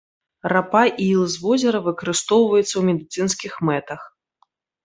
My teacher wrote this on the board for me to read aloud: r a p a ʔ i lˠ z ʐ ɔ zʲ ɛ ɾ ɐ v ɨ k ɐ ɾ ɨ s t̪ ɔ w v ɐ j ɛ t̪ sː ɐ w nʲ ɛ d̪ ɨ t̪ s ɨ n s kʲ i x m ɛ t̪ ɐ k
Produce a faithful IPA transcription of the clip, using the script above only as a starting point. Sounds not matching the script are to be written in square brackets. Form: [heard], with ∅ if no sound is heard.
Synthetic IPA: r a p a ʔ i lˠ z [v] ɔ zʲ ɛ ɾ ɐ v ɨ k ɐ ɾ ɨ s t̪ ɔ w v ɐ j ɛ t̪ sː ɐ w [mʲ] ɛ d̪ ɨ t̪ s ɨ n s kʲ i x m ɛ t̪ ɐ [x]